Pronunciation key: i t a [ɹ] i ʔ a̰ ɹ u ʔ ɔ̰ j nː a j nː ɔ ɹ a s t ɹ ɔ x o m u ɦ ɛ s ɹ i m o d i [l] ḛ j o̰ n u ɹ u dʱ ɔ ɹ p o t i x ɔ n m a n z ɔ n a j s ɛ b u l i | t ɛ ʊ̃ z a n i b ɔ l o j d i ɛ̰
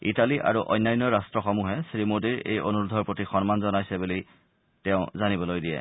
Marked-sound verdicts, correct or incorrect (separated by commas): incorrect, incorrect